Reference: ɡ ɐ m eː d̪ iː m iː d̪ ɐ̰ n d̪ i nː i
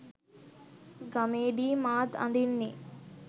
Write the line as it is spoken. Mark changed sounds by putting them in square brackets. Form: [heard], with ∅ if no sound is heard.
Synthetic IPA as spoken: ɡ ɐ m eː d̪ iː m [aː] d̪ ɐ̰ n d̪ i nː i

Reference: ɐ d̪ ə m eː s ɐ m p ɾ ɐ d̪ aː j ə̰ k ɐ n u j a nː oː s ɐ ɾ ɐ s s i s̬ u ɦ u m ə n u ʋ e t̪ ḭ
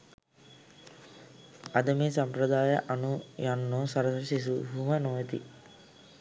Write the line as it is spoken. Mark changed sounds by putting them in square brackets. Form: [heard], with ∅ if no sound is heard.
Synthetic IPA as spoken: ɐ d̪ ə m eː s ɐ m p ɾ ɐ d̪ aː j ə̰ [ʔ] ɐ n u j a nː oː s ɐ ɾ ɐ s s i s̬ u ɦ u m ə n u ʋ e t̪ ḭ

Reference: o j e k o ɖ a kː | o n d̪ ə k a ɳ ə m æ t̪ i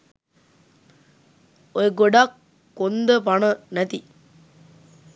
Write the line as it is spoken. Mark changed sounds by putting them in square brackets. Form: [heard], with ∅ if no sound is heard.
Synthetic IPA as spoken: o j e [ɡ] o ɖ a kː | o n d̪ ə [p] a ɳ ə [n] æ t̪ i

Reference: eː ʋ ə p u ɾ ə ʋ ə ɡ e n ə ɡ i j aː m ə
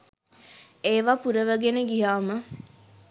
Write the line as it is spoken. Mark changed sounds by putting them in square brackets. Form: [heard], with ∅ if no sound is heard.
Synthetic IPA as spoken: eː ʋ [a] p u ɾ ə ʋ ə ɡ e n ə ɡ i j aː m ə

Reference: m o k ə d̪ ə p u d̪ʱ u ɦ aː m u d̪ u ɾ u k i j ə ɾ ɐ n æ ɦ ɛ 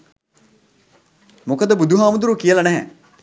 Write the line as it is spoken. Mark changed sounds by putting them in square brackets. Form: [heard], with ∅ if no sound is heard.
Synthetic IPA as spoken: m o k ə d̪ ə [b] u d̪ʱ u ɦ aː m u d̪ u ɾ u k i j ə [l] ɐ n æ ɦ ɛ

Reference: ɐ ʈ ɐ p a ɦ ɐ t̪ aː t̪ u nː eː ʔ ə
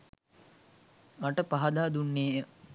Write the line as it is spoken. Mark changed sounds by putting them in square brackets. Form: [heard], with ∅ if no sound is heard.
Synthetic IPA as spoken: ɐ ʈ [ə] p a ɦ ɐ [d̪] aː [d̪] u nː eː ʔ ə

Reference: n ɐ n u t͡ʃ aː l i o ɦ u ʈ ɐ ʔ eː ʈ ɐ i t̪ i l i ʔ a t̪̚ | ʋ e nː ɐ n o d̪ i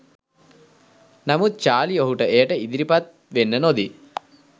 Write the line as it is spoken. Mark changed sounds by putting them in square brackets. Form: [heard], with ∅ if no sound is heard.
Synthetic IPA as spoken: n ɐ [m] u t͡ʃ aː l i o ɦ u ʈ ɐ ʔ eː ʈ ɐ i [d̪] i [ɾ] i [p] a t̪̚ | ʋ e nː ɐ n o d̪ i

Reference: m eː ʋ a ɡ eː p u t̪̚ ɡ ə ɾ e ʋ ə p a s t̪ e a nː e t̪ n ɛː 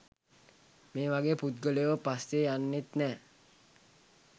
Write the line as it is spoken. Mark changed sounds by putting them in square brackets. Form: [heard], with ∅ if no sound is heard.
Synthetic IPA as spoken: m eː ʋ a ɡ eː p u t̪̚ ɡ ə [l] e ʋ ə p a s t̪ e a nː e t̪ n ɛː

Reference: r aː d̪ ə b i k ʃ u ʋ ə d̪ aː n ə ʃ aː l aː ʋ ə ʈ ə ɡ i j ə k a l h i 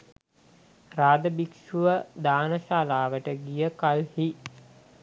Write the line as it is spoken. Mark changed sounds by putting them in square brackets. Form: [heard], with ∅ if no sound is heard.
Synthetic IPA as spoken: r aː d̪ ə b i k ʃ u ʋ ə d̪ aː n ə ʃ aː l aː ʋ ə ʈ ə ɡ i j ə k a l h i

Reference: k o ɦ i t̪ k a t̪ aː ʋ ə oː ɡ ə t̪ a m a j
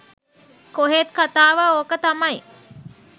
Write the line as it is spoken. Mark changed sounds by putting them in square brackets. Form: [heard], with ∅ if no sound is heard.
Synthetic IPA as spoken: k o ɦ [e] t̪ k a t̪ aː ʋ ə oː [k] ə t̪ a m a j

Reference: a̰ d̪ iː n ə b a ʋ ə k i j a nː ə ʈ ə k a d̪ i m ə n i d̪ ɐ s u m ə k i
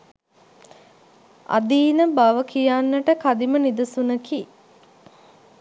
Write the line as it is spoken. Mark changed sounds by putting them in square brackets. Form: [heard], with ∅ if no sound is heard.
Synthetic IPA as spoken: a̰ d̪ iː n ə b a ʋ ə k i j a nː ə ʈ ə k a d̪ i m ə n i d̪ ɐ s u [n] ə k i

